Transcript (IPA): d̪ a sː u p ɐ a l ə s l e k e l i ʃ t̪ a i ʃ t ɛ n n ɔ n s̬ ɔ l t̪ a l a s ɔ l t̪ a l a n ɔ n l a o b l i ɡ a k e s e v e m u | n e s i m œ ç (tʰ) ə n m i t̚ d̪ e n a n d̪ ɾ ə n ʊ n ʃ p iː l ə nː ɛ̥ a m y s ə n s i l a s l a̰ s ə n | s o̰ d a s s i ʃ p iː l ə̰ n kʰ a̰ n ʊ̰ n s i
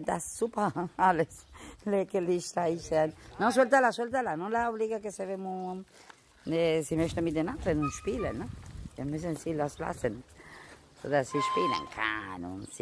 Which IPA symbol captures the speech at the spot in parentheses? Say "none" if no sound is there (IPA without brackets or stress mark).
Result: t